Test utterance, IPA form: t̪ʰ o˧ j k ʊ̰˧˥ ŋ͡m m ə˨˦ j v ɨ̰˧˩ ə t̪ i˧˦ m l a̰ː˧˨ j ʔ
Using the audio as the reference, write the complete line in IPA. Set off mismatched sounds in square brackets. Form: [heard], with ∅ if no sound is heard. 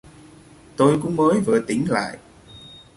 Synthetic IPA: [t̪] o˧ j k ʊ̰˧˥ ŋ͡m m [əː˨˦] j v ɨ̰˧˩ ə t̪ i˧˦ [ŋ] l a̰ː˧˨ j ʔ